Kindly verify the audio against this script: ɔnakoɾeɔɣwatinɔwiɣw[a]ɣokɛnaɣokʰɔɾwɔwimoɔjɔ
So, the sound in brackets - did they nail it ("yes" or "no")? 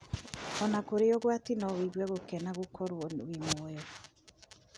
no